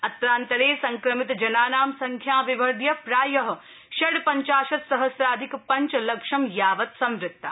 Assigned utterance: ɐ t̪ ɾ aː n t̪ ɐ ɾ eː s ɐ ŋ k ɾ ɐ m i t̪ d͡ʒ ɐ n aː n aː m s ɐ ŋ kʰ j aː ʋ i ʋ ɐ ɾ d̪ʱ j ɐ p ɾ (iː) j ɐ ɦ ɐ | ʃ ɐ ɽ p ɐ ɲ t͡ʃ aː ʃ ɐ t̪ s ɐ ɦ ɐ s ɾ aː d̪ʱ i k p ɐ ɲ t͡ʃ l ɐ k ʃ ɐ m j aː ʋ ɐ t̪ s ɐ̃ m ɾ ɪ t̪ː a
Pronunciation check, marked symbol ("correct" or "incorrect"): incorrect